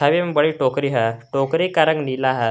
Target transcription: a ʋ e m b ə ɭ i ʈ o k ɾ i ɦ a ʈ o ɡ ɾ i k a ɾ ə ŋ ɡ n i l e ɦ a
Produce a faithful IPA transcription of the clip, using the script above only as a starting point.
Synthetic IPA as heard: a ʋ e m b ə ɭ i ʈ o k ɾ i ɦ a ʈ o k ɾ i k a ɾ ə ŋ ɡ n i l a ɦ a